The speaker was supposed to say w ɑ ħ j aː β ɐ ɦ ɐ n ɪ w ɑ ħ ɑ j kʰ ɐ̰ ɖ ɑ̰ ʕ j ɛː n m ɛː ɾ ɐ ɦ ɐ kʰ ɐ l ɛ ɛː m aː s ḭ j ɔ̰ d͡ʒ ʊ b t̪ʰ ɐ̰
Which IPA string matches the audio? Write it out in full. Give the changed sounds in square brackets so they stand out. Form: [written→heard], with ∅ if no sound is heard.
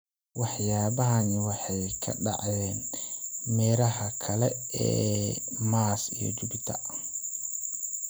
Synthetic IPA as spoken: w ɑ ħ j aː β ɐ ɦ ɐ n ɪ w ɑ ħ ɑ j kʰ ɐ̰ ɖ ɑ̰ ʕ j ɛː n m ɛː ɾ ɐ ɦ ɐ kʰ ɐ l ɛ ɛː m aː s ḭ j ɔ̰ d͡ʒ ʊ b t̪ʰ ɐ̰